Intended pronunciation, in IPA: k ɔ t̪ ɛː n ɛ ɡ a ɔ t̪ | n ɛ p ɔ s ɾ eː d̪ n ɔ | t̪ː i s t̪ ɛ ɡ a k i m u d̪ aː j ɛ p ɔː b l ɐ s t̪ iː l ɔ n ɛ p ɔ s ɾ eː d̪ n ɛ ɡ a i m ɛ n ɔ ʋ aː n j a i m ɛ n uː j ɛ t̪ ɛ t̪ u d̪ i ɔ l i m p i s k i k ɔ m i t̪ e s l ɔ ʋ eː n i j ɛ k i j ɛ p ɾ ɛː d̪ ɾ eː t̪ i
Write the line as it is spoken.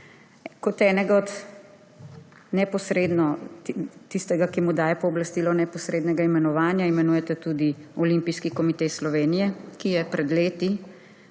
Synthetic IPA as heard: k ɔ t̪ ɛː n ɛ ɡ a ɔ t̪ | n ɛ p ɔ s ɾ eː d̪ n ɔ | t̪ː i s t̪ ɛ ɡ a k i m u d̪ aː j ɛ p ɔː b l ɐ s t̪ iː l ɔ n ɛ p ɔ s ɾ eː d̪ n ɛ ɡ a i m ɛ n ɔ ʋ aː n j a i m ɛ n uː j ɛ t̪ ɛ t̪ u d̪ i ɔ l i m p i s k i k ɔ m i t̪ e s l ɔ ʋ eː n i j ɛ k i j ɛ p ɾ ɛ d̪ l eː t̪ i

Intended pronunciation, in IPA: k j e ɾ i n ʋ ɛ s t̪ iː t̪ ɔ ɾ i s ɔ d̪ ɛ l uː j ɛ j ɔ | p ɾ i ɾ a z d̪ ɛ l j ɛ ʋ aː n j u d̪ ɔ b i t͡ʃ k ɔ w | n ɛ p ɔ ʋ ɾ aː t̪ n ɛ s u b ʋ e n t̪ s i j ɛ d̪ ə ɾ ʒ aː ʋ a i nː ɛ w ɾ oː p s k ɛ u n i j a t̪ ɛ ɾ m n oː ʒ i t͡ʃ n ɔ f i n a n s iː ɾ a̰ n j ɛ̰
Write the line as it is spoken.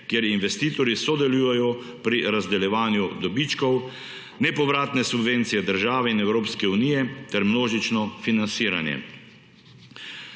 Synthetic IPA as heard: k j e ɾ i n ʋ ɛ s t̪ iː t̪ ɔ ɾ i s ɔ d̪ ɛ l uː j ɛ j ɔ | p ɾ i ɾ a z d̪ ɛ l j ɛ ʋ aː n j u d̪ ɔ b i t͡ʃ k ɔ w | n ɛ p ɔ ʋ ɾ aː t̪ n ɛ s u b ʋ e n t̪ s i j ɛ d̪ ə ɾ ʒ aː ʋ ɛ i n ɛ w ɾ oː p s k ɛ u n i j ɛ t̪ ɛ ɾ m n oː ʒ i t͡ʃ n ɔ f i n a n s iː ɾ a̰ n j ɛ̰

